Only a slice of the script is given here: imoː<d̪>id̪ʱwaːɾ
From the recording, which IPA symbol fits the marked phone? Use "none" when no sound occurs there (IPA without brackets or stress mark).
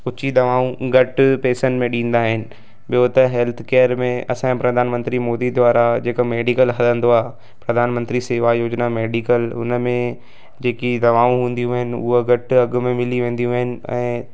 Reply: d̪